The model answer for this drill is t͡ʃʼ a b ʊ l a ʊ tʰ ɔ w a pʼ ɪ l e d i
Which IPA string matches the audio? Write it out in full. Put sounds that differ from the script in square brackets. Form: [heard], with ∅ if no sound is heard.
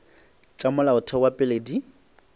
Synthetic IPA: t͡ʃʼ a [m] ʊ l a ʊ tʰ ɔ w a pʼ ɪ l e d i